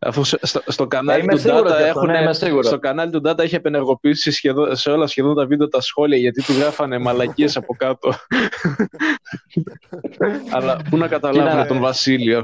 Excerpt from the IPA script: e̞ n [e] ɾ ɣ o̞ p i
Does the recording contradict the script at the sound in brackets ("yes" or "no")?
no